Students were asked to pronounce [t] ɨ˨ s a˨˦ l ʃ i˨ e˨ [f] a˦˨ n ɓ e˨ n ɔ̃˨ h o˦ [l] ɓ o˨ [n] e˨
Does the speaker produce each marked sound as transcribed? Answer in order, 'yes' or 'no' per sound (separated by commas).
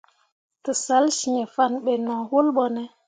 yes, yes, yes, yes